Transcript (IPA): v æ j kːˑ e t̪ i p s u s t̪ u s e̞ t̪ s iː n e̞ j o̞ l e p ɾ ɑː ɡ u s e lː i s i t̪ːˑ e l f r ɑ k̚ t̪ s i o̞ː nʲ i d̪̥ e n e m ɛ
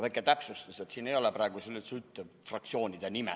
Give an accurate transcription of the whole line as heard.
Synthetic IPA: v æ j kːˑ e t̪ æ p s u s t̪ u s e̞ t̪ s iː n e̞ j o̞ l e p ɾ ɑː ɡ u s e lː i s y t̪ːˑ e f r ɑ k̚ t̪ s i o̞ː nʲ i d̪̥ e n i m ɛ